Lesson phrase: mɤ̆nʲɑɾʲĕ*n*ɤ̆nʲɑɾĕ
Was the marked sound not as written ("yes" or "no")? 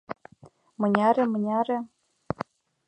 yes